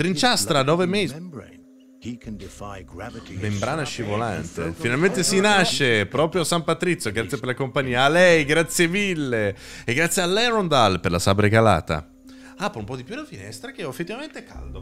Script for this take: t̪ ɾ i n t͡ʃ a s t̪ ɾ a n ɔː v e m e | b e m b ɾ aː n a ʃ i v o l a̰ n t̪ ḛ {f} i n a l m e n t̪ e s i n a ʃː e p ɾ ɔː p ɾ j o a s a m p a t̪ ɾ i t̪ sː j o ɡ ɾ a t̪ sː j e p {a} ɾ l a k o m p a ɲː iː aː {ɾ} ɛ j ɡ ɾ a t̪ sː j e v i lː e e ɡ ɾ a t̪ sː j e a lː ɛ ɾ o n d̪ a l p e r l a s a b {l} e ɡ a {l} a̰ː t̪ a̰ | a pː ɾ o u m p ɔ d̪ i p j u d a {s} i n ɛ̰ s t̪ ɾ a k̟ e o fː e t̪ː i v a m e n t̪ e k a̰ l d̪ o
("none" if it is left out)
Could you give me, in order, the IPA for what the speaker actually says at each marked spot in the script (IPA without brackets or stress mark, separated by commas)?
f, e, l, ɾ, l, f